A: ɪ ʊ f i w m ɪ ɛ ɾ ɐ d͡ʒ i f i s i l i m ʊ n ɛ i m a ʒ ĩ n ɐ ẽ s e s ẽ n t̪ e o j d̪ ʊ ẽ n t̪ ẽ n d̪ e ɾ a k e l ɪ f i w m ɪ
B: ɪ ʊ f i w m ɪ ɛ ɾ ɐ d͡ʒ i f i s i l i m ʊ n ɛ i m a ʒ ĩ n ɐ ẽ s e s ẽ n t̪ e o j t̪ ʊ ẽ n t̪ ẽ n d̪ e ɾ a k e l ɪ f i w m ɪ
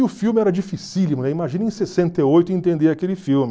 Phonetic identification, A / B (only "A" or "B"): B